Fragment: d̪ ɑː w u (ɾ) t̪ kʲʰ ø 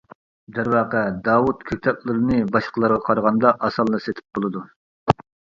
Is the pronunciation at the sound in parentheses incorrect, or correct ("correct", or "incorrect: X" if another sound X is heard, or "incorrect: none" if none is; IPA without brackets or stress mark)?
incorrect: none